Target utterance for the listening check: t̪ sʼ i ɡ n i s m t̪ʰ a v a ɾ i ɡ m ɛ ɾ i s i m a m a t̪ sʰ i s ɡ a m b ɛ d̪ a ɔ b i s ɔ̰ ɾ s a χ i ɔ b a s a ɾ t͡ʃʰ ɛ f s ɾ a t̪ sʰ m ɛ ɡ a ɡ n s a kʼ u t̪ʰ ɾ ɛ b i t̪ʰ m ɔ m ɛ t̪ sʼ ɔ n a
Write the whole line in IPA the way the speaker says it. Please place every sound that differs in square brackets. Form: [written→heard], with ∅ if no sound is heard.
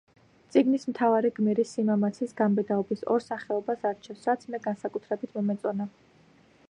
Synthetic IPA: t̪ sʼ i ɡ n i s m t̪ʰ a v a ɾ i ɡ m ɛ ɾ i s i m a m a t̪ sʰ i s ɡ a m b ɛ d̪ a ɔ b i s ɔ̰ ɾ s a χ [i→ɛ] ɔ b a s a ɾ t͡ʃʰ ɛ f s ɾ a t̪ sʰ m ɛ ɡ a [ɡ→∅] n s a kʼ u t̪ʰ ɾ ɛ b i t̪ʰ m ɔ m ɛ t̪ sʼ ɔ n a